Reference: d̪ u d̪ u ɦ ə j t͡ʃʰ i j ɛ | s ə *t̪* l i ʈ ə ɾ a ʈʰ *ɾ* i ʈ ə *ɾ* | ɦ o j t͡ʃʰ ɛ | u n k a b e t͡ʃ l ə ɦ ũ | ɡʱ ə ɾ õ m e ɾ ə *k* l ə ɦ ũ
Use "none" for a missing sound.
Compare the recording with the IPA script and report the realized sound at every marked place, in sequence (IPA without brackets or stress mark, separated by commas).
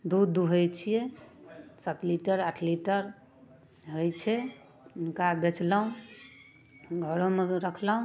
t̪, l, ɾ, kʰ